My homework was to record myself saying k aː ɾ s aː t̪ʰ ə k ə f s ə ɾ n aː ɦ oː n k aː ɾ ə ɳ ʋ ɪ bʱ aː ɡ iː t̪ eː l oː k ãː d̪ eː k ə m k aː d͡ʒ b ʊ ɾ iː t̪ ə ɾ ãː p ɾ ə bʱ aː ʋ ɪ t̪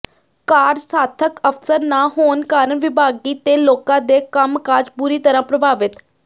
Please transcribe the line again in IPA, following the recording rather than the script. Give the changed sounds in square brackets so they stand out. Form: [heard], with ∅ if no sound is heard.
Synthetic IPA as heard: k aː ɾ s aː t̪ʰ ə k ə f s ə ɾ n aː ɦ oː n k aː ɾ ə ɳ ʋ ɪ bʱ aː ɡ iː t̪ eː l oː k ãː d̪ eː k ə m k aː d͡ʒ b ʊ ɾ iː t̪ ə ɾ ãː p ɾ ə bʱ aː ʋ ɪ t̪